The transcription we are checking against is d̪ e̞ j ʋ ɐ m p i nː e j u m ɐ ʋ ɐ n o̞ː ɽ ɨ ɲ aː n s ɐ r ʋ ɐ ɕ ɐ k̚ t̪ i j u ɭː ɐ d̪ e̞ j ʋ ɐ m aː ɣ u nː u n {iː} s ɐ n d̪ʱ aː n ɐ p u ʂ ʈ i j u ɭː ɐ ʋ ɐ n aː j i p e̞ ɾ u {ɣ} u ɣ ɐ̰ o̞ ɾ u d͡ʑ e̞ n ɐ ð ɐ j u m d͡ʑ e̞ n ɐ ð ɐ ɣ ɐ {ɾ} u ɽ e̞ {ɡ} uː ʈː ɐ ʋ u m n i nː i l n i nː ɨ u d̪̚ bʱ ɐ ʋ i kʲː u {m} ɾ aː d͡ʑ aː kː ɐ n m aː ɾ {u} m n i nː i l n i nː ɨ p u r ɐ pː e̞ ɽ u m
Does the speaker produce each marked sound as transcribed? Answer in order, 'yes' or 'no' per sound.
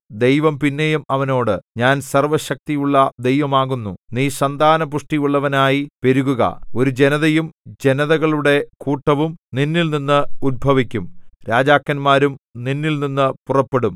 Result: yes, yes, no, no, yes, yes

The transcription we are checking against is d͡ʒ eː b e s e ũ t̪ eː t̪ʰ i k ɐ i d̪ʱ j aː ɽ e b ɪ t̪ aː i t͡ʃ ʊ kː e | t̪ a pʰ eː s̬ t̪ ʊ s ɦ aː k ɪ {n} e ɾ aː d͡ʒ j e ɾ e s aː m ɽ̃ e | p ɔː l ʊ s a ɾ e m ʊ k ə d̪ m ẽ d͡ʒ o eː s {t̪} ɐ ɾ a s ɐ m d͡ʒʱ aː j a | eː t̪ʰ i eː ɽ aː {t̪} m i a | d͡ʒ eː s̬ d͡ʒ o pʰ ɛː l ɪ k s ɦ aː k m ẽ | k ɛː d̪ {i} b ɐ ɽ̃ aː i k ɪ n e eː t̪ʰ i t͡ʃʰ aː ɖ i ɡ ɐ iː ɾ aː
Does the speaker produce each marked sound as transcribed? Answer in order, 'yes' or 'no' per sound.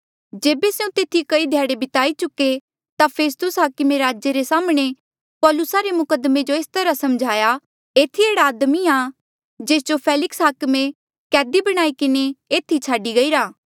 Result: no, yes, no, yes

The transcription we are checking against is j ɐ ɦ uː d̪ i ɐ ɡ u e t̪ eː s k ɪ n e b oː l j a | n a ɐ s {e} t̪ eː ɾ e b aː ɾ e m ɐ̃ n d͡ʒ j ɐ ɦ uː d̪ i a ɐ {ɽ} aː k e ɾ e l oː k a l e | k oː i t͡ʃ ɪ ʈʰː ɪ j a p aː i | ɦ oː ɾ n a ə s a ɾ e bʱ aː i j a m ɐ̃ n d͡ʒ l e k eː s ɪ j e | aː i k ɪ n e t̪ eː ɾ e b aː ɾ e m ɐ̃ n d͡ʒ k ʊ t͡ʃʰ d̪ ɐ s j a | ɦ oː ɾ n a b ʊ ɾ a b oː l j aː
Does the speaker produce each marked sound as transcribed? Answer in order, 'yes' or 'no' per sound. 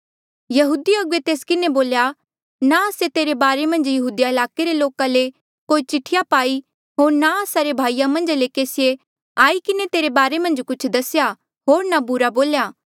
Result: yes, no

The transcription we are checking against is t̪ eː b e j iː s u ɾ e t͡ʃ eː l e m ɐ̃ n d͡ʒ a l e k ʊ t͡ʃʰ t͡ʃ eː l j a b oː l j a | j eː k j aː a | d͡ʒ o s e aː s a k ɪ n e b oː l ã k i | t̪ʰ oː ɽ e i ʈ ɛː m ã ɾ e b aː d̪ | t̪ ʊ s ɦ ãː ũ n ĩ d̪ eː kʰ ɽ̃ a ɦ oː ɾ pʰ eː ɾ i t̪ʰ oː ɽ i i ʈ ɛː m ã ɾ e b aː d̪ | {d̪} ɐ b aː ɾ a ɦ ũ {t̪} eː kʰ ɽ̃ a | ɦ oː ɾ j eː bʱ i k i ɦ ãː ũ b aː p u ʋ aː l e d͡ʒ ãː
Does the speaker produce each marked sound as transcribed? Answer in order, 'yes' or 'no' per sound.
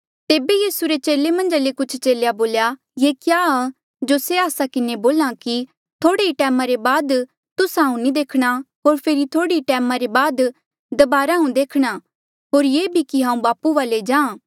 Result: yes, no

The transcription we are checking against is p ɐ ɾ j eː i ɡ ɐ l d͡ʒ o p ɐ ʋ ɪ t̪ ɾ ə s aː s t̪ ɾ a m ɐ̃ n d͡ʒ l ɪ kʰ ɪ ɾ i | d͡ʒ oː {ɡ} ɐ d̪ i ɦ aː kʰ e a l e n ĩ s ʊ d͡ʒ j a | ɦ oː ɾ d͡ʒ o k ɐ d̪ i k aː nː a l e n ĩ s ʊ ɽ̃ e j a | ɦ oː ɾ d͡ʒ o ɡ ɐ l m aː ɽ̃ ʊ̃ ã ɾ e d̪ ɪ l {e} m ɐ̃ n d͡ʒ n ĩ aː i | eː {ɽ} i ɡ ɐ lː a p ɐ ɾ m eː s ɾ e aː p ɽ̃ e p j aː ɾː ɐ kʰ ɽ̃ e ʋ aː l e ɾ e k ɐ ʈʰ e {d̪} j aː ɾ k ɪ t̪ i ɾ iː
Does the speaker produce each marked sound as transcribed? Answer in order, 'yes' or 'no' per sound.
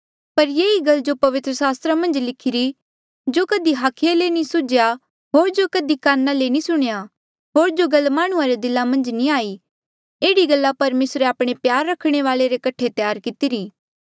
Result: no, no, yes, no

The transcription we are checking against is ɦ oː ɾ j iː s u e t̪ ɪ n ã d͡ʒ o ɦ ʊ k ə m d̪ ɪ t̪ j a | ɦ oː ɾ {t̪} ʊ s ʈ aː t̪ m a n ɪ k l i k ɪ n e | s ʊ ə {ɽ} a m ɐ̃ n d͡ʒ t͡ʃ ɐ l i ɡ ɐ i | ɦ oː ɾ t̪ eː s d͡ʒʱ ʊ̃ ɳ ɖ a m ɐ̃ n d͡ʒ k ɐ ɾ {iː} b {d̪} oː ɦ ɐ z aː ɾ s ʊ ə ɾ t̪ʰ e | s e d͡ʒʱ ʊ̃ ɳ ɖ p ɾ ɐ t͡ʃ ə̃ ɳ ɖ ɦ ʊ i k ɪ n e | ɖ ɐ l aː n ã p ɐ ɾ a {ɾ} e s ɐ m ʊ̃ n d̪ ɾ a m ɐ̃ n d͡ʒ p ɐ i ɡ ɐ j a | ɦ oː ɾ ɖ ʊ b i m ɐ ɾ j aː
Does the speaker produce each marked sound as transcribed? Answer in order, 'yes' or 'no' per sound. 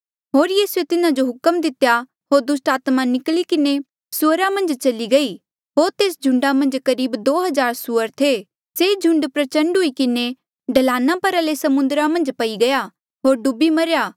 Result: no, no, yes, yes, no

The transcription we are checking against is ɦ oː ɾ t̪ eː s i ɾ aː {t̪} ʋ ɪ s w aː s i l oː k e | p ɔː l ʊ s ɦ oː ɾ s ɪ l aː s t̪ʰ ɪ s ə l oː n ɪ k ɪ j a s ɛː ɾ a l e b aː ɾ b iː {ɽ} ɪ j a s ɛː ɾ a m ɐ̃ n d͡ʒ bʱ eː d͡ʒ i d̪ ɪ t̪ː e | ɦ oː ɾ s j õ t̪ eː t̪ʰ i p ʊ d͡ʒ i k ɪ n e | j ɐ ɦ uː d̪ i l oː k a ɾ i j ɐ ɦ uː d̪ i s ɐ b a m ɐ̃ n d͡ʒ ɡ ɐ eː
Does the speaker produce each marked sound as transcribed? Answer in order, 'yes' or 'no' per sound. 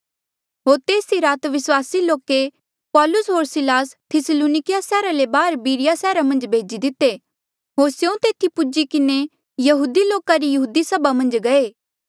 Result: yes, no

